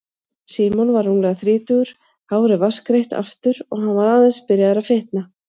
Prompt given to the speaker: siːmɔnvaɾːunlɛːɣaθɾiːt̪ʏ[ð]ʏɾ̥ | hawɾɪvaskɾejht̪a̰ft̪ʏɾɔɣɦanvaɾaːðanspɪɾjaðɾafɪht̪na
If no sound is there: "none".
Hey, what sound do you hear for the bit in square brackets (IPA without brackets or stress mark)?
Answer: ɣ